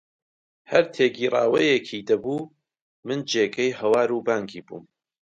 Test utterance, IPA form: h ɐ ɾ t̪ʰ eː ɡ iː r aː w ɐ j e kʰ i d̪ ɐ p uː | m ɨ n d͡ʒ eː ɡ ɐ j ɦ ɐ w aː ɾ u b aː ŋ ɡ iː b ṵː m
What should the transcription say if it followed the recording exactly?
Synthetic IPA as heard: h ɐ ɾ t̪ʰ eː ɡ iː r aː w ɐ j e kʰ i d̪ ɐ b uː | m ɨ n d͡ʒ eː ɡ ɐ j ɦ ɐ w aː ɾ u b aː ŋ ɡ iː b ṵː m